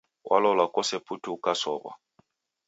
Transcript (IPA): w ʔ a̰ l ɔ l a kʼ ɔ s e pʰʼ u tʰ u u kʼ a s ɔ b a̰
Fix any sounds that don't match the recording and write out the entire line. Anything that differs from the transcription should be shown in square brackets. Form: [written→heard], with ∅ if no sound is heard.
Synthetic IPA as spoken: w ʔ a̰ l ɔ l a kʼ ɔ s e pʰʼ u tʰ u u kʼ a s ɔ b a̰